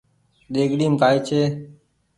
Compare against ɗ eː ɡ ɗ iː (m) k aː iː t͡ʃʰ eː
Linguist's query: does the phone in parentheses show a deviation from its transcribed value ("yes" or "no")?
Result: no